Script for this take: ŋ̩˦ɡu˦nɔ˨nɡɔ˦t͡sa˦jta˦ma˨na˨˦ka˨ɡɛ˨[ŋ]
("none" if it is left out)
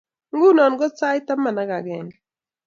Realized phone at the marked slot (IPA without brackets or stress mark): ŋ